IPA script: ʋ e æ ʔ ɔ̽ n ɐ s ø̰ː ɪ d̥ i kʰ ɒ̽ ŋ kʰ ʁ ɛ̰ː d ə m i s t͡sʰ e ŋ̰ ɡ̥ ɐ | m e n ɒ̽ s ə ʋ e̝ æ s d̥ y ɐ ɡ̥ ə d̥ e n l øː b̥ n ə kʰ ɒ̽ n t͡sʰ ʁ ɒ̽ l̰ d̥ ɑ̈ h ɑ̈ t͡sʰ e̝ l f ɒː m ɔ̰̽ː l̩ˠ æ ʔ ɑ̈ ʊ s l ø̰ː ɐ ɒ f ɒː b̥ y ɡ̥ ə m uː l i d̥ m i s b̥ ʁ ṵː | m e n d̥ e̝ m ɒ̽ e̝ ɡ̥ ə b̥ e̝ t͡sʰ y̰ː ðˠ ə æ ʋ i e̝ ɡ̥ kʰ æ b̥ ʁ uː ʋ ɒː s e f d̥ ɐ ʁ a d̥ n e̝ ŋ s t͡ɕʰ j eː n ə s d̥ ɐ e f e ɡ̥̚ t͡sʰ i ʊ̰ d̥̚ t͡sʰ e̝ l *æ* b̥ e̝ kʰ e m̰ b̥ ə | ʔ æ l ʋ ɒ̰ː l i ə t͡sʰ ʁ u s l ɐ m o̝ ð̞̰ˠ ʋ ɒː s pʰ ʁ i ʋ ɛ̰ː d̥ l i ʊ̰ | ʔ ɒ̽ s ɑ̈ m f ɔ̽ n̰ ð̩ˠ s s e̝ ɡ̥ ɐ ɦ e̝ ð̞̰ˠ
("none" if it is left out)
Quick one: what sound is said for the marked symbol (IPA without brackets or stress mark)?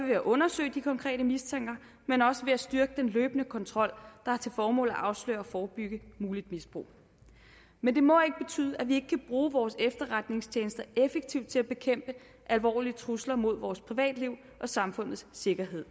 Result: æ